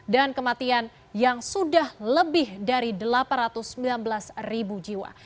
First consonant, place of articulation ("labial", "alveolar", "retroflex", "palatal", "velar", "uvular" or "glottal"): alveolar